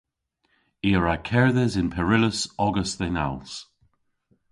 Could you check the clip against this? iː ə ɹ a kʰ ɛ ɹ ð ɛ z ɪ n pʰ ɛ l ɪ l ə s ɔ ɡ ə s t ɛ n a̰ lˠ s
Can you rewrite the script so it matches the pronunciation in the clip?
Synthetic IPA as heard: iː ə ɹ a kʰ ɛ ɹ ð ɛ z ɪ n pʰ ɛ ɹ ɪ l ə s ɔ ɡ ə s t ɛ n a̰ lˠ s